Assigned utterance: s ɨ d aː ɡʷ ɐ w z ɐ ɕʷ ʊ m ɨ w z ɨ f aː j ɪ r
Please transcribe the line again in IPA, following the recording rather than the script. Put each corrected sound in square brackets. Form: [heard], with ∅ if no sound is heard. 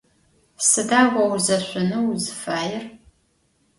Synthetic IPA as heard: s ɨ d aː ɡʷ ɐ w z ɐ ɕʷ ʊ [n] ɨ w z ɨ f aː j ɪ r

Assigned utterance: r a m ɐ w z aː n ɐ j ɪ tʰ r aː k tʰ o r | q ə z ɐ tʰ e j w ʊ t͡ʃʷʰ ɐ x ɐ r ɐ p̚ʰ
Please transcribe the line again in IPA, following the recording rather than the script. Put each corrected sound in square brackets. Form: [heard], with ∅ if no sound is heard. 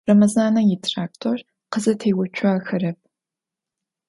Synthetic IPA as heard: r [ɐ] m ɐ [∅] z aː n ɐ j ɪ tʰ r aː k tʰ o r | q ə z ɐ tʰ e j w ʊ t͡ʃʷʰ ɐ x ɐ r ɐ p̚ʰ

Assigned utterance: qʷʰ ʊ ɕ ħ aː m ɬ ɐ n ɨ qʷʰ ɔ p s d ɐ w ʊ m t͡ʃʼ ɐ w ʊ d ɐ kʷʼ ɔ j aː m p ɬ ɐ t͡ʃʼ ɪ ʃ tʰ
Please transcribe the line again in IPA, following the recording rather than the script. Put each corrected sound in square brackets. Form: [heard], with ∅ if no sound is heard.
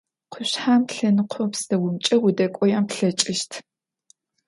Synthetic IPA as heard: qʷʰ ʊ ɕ ħ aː m ɬ ɐ n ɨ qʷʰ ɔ p s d ɐ w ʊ m t͡ʃʼ ɐ w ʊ d ɐ kʷʼ ɔ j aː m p ɬ ɐ t͡ʃʼ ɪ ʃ tʰ

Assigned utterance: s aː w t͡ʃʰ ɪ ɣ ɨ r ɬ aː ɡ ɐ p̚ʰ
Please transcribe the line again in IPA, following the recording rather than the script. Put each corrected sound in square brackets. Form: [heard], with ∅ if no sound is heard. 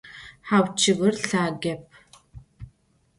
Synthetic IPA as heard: [ħ] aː w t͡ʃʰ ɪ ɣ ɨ r ɬ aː ɡ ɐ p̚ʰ

